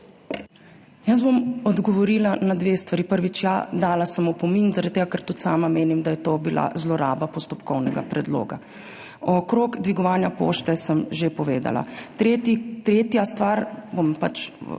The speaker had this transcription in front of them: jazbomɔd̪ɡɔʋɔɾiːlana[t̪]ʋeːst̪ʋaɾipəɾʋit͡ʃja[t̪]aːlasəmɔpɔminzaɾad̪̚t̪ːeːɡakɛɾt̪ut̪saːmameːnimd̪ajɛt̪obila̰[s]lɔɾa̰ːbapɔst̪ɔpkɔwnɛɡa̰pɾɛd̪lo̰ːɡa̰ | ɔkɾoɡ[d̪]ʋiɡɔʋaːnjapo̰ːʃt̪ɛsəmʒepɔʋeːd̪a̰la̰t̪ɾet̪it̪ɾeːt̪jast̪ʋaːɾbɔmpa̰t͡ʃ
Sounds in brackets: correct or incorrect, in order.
incorrect: d̪, incorrect: d̪, incorrect: z, correct

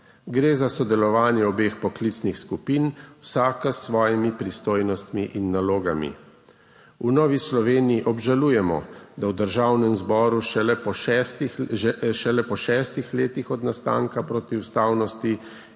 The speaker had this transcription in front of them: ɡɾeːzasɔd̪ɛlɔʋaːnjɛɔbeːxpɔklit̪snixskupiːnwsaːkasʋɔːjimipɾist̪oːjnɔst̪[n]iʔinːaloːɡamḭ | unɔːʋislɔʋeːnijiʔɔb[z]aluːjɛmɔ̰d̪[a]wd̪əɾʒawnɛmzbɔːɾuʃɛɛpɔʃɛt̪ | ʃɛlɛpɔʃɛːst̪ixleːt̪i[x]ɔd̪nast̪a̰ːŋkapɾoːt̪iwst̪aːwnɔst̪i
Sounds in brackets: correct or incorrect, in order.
incorrect: m, incorrect: ʒ, correct, correct

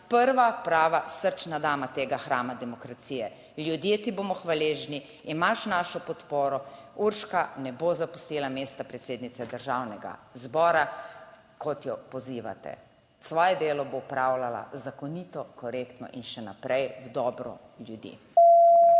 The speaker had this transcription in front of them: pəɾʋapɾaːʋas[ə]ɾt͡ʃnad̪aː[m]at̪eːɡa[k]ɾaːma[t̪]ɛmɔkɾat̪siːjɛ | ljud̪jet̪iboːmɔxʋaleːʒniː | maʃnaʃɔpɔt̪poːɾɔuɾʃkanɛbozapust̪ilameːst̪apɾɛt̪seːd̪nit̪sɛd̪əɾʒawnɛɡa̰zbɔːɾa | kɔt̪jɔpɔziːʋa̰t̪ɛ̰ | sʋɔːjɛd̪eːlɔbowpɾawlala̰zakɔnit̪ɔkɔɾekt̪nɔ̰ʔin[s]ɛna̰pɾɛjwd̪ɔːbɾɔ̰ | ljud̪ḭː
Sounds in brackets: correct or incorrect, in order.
correct, correct, incorrect: x, incorrect: d̪, incorrect: ʃ

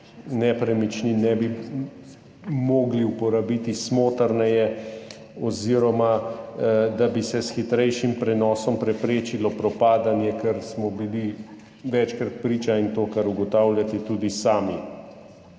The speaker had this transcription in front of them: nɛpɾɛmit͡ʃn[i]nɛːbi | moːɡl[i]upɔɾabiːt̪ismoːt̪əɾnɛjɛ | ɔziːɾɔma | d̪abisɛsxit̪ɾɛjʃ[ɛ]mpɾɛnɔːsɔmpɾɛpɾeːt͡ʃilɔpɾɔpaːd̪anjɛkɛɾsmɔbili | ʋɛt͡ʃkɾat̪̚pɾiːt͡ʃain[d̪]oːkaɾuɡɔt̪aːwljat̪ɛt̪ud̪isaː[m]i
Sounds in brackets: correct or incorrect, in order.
correct, correct, incorrect: i, incorrect: t̪, correct

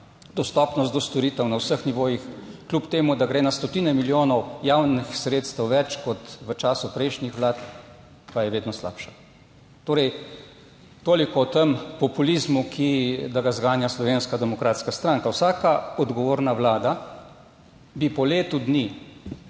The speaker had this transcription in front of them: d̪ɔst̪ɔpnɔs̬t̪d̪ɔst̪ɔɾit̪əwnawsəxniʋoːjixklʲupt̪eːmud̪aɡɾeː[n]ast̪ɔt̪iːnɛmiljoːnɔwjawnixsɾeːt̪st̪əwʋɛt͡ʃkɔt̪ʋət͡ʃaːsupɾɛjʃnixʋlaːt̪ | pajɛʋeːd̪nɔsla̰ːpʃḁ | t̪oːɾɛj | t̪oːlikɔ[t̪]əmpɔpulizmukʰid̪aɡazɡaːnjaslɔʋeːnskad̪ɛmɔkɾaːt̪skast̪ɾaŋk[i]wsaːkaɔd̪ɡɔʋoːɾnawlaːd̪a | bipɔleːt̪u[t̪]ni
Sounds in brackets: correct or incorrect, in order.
correct, correct, incorrect: a, incorrect: d̪

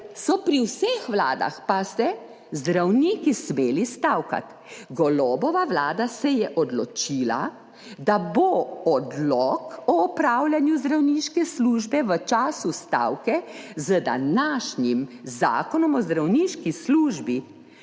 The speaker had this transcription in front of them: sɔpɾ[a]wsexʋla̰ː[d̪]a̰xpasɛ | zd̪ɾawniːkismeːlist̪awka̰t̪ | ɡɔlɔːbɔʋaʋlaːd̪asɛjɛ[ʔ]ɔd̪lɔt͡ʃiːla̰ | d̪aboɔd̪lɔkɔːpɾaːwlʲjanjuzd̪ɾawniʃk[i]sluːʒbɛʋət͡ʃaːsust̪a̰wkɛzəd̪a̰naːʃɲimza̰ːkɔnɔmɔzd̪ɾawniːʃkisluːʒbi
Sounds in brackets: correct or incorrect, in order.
incorrect: i, correct, correct, incorrect: ɛ

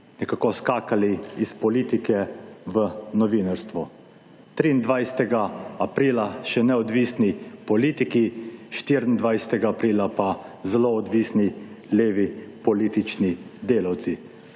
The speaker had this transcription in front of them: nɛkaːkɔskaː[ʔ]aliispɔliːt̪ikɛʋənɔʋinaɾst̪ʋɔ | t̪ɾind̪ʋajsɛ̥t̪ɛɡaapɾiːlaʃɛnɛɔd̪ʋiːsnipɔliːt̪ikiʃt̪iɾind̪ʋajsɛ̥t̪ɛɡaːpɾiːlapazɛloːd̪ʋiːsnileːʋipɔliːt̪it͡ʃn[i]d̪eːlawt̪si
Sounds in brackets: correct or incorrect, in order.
incorrect: k, correct

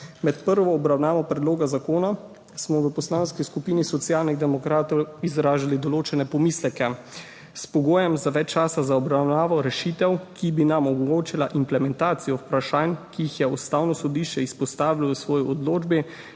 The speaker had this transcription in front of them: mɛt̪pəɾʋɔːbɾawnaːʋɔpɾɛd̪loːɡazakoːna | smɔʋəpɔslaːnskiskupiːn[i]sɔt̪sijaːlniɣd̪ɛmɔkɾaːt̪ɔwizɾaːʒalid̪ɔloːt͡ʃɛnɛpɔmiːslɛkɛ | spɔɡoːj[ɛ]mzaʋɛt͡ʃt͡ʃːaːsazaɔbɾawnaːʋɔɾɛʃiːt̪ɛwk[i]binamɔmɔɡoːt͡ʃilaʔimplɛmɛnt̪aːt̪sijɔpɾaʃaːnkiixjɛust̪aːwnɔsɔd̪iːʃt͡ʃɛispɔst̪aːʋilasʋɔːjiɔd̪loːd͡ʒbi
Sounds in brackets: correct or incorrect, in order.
correct, correct, correct

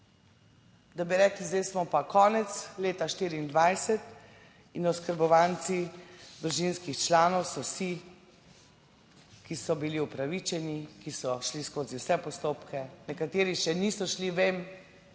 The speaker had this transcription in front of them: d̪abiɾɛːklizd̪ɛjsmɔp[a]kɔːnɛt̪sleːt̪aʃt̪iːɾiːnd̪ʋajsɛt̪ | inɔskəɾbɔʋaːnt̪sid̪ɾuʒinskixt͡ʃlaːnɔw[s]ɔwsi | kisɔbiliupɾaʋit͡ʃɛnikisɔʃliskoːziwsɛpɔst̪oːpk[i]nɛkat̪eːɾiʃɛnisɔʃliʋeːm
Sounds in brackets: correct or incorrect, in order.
correct, correct, incorrect: ɛ

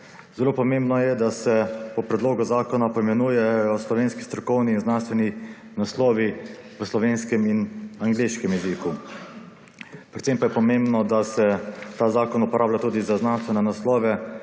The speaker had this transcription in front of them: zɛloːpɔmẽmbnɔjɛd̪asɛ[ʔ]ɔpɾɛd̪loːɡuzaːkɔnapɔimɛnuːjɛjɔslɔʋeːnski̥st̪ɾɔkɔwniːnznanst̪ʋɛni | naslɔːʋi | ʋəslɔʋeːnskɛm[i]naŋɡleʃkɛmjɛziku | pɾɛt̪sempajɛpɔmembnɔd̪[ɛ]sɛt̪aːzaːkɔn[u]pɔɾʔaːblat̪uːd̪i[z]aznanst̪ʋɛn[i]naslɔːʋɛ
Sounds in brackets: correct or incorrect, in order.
incorrect: p, correct, incorrect: a, correct, correct, incorrect: ɛ

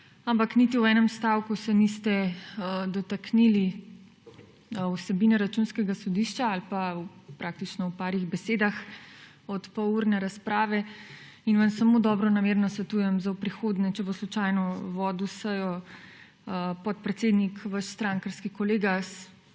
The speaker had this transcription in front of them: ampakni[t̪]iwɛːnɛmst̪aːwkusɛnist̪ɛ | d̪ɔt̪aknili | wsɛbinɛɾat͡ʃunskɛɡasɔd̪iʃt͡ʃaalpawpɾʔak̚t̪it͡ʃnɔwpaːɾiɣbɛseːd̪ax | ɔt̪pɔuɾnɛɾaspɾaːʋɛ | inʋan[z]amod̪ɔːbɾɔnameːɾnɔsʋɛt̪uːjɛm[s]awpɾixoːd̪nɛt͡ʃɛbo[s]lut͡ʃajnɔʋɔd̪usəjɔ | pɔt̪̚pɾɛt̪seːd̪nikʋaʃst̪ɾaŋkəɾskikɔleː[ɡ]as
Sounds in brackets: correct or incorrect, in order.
correct, incorrect: s, incorrect: z, correct, correct

